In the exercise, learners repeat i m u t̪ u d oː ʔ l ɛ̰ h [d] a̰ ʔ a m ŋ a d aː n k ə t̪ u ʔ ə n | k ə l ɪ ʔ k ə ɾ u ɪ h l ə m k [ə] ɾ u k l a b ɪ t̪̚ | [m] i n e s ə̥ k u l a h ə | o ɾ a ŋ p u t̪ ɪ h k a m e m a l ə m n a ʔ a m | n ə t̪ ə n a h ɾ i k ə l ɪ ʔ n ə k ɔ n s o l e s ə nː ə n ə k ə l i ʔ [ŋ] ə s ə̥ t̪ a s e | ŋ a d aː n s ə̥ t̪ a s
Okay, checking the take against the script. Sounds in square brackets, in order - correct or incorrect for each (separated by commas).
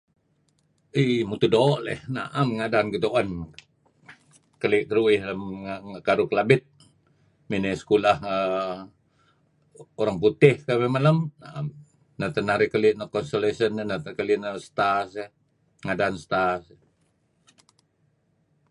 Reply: incorrect, incorrect, correct, incorrect